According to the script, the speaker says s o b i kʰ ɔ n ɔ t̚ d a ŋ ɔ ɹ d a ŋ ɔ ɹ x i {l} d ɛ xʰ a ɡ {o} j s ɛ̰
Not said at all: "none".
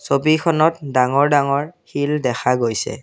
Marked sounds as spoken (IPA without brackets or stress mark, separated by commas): l, o